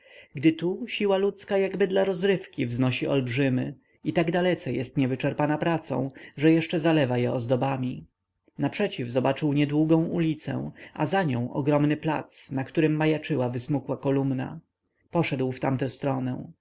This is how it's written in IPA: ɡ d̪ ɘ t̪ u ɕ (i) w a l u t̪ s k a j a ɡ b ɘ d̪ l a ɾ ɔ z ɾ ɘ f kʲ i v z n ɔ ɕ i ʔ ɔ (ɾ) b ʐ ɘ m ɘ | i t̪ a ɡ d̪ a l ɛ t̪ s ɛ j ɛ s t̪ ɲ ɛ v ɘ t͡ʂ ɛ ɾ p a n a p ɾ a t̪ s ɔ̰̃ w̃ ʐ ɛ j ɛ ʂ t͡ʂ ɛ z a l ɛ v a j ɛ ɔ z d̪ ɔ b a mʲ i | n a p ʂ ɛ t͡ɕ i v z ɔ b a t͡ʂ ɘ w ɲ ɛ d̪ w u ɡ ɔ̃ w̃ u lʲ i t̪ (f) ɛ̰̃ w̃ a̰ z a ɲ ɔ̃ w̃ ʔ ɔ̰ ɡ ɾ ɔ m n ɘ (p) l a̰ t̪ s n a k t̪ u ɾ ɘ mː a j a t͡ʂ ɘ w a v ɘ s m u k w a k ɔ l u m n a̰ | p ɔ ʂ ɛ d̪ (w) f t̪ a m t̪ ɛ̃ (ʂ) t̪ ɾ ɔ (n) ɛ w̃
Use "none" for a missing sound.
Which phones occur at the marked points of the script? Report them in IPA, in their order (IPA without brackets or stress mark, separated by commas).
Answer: i, l, s, p, w, s, n